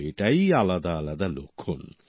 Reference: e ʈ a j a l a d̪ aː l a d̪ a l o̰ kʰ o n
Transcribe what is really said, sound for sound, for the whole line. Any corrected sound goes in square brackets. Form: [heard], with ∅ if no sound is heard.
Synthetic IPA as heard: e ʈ a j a l a d̪ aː l a d̪ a l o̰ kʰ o n